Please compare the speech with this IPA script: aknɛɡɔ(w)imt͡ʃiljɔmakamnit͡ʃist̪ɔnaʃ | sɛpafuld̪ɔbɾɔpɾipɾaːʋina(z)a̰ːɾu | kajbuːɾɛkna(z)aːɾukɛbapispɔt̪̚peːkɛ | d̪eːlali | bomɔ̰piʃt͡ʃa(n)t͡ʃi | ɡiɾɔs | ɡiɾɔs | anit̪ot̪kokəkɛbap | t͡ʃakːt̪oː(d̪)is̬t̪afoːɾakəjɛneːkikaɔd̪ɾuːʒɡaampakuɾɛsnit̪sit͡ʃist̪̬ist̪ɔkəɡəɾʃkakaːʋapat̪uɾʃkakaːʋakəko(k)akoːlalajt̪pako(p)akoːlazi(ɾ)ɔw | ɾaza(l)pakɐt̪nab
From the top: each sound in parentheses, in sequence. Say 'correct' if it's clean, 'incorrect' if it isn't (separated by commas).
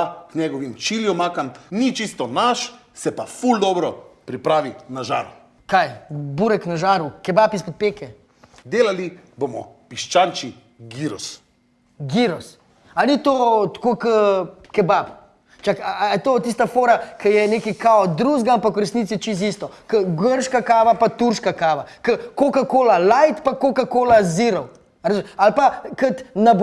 incorrect, incorrect, incorrect, correct, incorrect, correct, incorrect, correct, correct